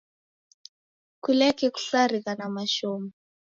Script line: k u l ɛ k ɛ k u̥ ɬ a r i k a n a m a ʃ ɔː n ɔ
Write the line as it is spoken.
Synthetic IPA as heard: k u l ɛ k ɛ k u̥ ɬ a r i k a n a m a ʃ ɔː m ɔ

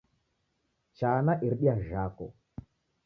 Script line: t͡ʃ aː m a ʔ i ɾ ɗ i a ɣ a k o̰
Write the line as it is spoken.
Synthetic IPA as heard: t͡ʃ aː n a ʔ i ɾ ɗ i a ʒ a k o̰

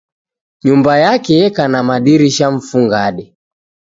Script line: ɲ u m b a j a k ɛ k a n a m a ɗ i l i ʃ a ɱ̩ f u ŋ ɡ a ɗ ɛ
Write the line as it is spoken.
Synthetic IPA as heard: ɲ u m b a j a k ɛ k a n a m a ɗ i ɾ i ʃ a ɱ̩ f u ŋ ɡ a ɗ ɛ

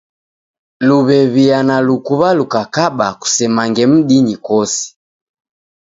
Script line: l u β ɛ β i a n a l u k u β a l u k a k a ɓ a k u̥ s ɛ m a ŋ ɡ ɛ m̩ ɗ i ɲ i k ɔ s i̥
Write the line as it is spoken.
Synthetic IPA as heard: l u β ɛ β i a n a l u k u β a l u k a k a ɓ a k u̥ s ɛ m a ŋ ɡ ɛ m̩ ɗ i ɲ i k ɔ s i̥

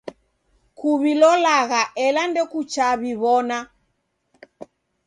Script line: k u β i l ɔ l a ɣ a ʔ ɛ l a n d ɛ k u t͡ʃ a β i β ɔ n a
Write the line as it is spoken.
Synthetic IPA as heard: k u β i l ɔ l a ɣ a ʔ ɛ l a n d ɛ k u t͡ʃ a β i β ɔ n a

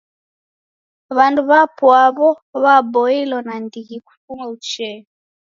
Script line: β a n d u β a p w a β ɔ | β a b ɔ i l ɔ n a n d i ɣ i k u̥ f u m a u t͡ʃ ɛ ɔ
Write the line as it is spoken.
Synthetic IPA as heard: β a n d u β a p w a β ɔ | β a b ɔ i l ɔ n a n d i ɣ i k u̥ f u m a u t͡ʃ ɛ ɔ

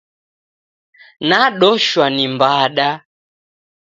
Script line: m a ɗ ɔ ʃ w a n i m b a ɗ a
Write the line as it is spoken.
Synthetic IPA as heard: n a ɗ ɔ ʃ w a n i m b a ɗ a

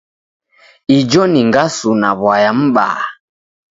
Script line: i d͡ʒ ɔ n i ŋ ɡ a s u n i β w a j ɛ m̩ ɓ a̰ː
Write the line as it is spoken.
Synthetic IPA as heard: i d͡ʒ ɔ n i ŋ ɡ a s u n a β w a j a m̩ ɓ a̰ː

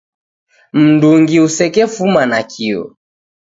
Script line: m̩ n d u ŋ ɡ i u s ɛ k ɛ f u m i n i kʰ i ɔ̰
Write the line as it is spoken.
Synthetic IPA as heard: m̩ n d u ŋ ɡ i u s ɛ k ɛ f u m a n a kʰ i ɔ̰

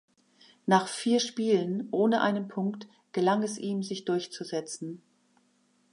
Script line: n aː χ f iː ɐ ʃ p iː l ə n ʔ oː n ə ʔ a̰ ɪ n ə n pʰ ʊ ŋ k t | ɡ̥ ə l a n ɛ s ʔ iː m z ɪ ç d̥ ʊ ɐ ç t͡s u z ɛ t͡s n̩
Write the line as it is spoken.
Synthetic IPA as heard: n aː χ f iː ɐ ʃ p iː l ə n ʔ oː n ə ʔ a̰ ɪ n ə n pʰ ʊ ŋ k t | ɡ̥ ə l a ŋ ɛ s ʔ iː m z ɪ ç d̥ ʊ ɐ ç t͡s u z ɛ t͡s n̩

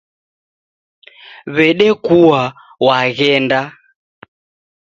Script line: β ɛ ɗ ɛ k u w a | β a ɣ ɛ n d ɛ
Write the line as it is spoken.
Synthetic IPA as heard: β ɛ ɗ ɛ k u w a | w a ɣ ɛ n d a

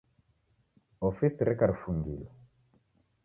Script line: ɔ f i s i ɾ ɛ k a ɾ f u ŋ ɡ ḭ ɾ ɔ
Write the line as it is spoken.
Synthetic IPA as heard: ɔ f i s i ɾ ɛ k a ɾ f u ŋ ɡ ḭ l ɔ

